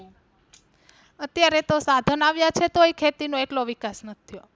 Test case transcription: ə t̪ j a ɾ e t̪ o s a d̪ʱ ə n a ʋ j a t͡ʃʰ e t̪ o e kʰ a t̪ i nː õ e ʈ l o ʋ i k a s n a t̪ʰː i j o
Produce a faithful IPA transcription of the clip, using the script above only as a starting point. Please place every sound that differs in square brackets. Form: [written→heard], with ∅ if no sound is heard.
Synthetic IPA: ə t̪ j a ɾ e t̪ o s a d̪ʱ ə n a ʋ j a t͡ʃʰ e t̪ o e kʰ [a→e] t̪ i [nː→n] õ e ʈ l o ʋ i k a s n [a→ə] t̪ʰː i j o